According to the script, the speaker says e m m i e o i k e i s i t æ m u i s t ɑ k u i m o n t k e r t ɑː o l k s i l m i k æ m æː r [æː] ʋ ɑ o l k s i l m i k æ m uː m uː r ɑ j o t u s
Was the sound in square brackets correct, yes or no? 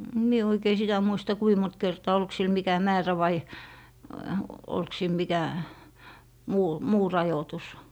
no